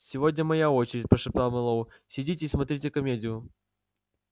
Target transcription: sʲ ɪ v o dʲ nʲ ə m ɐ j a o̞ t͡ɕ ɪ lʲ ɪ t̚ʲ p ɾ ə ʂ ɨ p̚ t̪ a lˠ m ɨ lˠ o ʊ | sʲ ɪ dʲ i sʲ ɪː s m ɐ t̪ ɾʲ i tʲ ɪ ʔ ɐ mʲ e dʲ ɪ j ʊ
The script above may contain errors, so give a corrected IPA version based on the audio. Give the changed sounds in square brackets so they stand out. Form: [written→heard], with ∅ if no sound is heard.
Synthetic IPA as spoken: sʲ ɪ v o dʲ nʲ ə m ɐ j a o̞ t͡ɕ ɪ [lʲ→ɾʲ] ɪ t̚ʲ p ɾ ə ʂ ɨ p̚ t̪ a lˠ m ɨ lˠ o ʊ | sʲ ɪ dʲ i [sʲ→tʲ] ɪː s m ɐ t̪ ɾʲ i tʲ ɪ [ʔ→k] ɐ mʲ e dʲ ɪ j ʊ